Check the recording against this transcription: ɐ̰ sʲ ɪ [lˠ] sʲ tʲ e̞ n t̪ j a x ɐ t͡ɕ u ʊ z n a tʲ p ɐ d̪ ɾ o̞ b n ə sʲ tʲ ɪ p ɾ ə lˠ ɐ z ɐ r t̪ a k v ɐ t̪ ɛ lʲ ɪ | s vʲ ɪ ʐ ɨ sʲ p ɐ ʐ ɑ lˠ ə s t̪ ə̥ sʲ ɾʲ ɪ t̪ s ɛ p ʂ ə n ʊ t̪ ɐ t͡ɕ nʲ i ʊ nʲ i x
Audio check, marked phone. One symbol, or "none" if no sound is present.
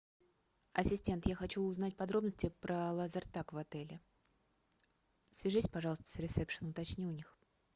none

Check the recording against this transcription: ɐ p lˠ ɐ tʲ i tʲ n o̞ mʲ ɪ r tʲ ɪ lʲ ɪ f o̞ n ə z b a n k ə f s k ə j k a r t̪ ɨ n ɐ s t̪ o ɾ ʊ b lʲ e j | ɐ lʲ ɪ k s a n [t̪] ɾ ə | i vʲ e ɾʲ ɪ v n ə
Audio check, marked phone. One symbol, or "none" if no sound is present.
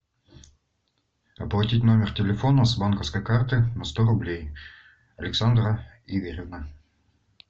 d̪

